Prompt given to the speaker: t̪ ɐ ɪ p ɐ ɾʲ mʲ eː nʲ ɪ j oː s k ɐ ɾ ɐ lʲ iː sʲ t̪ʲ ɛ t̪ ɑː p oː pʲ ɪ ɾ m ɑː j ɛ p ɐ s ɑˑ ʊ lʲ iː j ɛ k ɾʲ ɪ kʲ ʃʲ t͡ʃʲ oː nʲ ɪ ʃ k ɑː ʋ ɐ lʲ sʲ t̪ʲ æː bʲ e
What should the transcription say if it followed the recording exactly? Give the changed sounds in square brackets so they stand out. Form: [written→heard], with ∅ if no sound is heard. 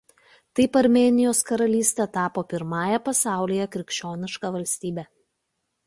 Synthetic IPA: t̪ ɐ ɪ p ɐ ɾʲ mʲ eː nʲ ɪ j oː s k ɐ ɾ ɐ lʲ iː sʲ t̪ʲ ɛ t̪ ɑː p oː pʲ ɪ ɾ m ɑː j ɛ p ɐ s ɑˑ ʊ lʲ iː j ɛ k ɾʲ ɪ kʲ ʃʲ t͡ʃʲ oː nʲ ɪ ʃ k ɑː ʋ ɐ lʲ sʲ t̪ʲ [æː→iː] bʲ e

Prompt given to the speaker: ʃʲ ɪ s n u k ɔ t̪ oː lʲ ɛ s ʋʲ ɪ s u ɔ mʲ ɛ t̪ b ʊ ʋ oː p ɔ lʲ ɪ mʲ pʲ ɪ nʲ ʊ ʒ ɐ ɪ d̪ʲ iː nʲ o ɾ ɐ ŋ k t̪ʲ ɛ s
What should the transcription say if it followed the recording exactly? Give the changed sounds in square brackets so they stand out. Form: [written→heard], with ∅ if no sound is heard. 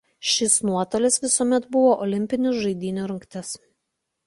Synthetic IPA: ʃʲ ɪ s n u [k→∅] ɔ t̪ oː lʲ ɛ s ʋʲ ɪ s u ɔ mʲ ɛ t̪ b ʊ ʋ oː [p→ʔ] ɔ lʲ ɪ mʲ pʲ ɪ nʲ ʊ ʒ ɐ ɪ d̪ʲ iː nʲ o ɾ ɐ ŋ k t̪ʲ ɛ s

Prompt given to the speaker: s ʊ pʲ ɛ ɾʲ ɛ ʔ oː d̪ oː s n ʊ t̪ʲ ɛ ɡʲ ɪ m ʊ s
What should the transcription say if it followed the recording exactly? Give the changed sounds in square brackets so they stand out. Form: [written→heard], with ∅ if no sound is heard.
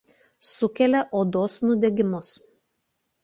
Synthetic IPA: s ʊ [pʲ→kʲ] ɛ [ɾʲ→lʲ] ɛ ʔ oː d̪ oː s n ʊ [t̪ʲ→d̪ʲ] ɛ ɡʲ ɪ m ʊ s

